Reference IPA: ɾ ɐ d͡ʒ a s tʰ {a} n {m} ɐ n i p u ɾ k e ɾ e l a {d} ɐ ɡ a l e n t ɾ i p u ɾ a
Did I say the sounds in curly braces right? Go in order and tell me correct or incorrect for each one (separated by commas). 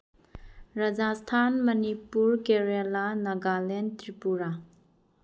correct, correct, incorrect